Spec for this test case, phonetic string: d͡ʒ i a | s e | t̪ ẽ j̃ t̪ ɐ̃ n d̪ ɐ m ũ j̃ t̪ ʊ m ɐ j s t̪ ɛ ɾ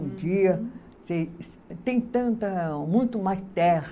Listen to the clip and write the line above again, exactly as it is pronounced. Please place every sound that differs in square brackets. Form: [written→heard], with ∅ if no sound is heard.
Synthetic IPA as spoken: d͡ʒ i [a→ɐ] | s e | t̪ ẽ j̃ t̪ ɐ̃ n [d̪→t̪] ɐ m ũ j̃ t̪ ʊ m [ɐ→a] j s t̪ ɛ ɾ